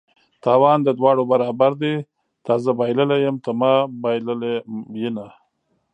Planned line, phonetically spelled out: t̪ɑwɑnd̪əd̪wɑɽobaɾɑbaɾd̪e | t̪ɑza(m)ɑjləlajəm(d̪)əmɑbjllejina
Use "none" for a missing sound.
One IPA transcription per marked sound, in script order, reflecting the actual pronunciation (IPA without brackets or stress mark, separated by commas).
b, t̪